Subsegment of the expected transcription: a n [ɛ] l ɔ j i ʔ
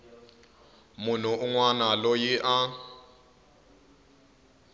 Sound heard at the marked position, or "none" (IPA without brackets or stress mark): a